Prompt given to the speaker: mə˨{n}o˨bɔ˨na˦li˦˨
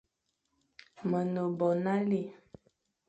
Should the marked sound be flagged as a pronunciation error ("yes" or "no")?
no